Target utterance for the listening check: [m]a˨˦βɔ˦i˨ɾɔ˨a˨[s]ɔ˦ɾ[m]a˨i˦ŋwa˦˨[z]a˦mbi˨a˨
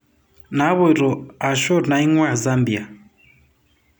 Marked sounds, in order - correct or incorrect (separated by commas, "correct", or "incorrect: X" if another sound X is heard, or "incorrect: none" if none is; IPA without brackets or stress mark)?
incorrect: n, incorrect: ʃ, incorrect: n, correct